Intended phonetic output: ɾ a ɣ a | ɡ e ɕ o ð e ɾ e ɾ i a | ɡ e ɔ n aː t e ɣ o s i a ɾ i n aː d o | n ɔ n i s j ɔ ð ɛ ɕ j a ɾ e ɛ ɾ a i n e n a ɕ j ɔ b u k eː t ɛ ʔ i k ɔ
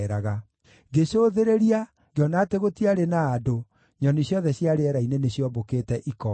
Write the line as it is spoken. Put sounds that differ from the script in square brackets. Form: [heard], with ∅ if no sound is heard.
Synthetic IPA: ɾ a ɣ a | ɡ e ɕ o ð e ɾ e ɾ i a | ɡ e ɔ n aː t e ɣ o [t] i a ɾ [e] n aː d o | [ɲ] ɔ n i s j ɔ ð ɛ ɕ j a ɾ e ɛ ɾ a i n e n [e] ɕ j ɔ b [o] k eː t ɛ ʔ i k ɔ